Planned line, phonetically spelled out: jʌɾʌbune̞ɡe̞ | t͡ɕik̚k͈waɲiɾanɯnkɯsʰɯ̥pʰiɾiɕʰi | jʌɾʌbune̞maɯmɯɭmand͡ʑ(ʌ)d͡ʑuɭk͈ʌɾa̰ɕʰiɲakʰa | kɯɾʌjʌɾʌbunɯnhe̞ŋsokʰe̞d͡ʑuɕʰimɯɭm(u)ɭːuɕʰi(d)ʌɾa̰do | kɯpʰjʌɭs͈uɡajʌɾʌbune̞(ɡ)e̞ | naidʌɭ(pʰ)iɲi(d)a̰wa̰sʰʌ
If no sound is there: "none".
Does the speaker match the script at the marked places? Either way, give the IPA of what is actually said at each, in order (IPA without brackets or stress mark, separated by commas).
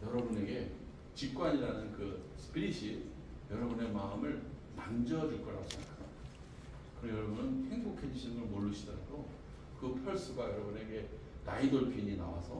ʌ, o, d, ɡ, pʰ, n